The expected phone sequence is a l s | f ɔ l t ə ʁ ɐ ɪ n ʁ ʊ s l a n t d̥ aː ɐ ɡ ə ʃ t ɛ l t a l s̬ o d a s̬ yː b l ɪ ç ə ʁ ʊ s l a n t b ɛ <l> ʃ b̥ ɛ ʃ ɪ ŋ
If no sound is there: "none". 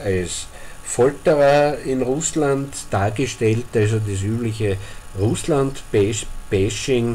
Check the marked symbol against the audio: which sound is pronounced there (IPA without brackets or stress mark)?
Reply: none